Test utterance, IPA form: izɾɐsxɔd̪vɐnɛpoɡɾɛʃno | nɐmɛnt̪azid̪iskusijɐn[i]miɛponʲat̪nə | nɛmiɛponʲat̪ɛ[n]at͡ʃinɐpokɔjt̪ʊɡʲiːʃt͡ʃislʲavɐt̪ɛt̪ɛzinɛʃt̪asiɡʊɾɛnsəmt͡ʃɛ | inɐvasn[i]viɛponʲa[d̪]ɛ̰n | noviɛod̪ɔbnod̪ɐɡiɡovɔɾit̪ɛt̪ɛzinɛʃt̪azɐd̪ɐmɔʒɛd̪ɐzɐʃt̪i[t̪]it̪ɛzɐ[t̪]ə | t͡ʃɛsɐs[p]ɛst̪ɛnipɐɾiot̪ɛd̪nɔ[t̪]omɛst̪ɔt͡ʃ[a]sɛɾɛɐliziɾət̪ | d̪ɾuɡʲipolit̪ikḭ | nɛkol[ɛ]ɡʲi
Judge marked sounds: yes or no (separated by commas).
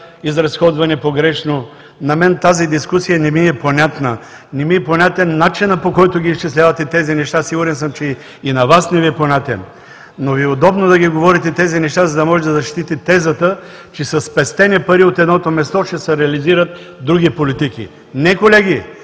no, no, no, no, yes, yes, yes, yes, no, yes